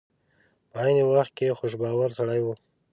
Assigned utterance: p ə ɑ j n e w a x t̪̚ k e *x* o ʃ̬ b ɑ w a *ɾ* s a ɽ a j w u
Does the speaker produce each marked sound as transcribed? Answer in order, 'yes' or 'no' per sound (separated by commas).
yes, yes